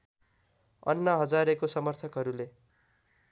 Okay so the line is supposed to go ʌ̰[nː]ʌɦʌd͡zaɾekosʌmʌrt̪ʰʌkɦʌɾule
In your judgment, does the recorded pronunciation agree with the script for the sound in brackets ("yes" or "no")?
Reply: yes